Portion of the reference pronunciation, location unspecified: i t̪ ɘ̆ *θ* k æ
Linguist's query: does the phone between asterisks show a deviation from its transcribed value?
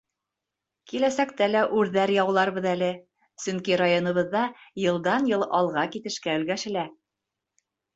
yes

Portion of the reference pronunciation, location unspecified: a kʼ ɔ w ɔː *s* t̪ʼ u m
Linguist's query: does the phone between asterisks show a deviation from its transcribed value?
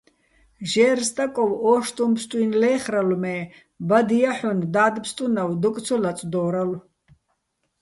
yes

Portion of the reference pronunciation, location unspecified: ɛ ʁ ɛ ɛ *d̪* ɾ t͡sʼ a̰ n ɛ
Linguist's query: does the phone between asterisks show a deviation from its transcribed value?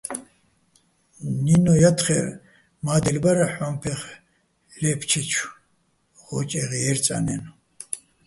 yes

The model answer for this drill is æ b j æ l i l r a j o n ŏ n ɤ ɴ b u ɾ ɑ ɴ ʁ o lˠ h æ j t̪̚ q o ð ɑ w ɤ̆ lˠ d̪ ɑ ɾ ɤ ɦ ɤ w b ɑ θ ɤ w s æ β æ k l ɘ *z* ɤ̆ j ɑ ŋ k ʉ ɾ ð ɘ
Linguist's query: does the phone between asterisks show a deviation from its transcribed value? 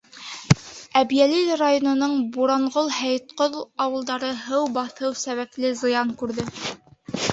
no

